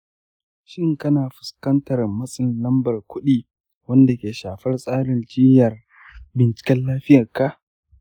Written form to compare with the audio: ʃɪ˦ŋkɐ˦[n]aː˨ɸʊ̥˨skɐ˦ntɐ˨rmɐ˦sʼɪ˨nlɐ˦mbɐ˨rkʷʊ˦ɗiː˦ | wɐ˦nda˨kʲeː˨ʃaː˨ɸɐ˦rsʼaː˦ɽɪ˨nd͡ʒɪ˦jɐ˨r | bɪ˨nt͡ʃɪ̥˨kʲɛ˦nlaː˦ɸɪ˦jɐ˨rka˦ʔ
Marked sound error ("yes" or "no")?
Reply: no